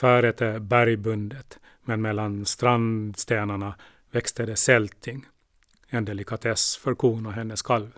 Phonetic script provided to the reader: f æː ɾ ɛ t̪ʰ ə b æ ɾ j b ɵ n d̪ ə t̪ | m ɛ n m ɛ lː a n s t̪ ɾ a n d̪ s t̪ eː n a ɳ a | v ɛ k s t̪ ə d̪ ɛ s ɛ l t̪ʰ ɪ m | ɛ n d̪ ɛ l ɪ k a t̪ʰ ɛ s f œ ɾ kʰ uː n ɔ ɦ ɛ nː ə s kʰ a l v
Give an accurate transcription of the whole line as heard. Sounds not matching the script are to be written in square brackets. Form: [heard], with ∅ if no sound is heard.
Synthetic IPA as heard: f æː ɾ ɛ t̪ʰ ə b æ ɾ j b ɵ n d̪ ə t̪ | m ɛ n m ɛ lː a n s t̪ ɾ a n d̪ s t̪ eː n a ɳ a | v ɛ k s t̪ ə d̪ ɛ s ɛ l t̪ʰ ɪ [ŋ] | ɛ n d̪ ɛ l ɪ k a t̪ʰ ɛ s f œ ɾ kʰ uː n ɔ ɦ ɛ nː ə s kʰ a l v